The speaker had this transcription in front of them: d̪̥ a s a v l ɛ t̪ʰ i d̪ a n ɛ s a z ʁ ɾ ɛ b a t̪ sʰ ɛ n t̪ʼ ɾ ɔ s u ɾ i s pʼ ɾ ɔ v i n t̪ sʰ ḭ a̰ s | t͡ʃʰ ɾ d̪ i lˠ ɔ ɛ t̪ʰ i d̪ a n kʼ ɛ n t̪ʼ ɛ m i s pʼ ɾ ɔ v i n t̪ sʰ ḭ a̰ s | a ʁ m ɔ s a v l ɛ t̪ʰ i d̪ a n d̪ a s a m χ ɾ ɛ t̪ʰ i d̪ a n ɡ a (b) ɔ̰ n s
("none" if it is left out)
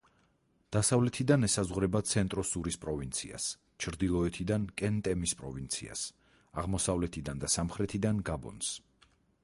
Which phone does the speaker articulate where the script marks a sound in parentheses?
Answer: b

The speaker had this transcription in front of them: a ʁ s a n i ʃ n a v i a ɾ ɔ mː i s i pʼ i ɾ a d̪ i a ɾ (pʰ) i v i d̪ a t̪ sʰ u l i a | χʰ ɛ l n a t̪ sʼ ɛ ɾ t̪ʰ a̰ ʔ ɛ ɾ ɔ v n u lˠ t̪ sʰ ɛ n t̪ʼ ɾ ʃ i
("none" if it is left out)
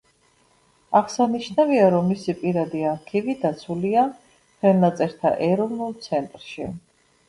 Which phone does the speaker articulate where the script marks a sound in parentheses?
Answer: kʰ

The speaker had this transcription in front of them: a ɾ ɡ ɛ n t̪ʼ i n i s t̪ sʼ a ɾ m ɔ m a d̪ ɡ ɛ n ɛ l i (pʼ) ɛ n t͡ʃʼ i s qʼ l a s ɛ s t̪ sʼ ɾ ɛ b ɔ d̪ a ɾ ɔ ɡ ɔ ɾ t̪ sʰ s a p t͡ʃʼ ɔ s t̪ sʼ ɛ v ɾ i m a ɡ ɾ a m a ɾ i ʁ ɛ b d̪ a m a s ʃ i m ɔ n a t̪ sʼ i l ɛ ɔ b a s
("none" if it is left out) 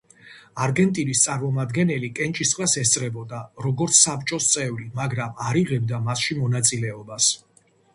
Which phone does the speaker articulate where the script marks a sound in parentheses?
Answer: kʼ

